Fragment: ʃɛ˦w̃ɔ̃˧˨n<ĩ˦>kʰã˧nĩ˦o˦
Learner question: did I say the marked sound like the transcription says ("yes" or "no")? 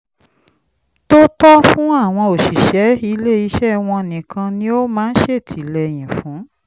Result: no